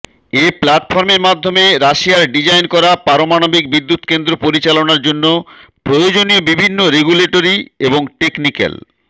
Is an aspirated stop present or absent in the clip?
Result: absent